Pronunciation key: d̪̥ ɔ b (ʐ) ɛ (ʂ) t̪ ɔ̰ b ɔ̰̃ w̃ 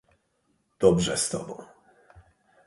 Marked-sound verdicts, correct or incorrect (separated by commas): correct, incorrect